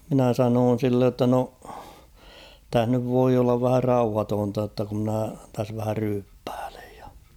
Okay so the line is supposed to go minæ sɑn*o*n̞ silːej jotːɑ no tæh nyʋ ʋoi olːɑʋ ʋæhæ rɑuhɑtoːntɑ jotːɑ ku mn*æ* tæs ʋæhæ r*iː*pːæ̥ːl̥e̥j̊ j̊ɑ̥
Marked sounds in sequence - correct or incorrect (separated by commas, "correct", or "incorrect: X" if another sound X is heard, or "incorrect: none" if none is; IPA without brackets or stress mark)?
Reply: incorrect: oː, correct, incorrect: yː